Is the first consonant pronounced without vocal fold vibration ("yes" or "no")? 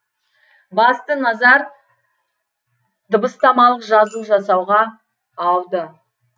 no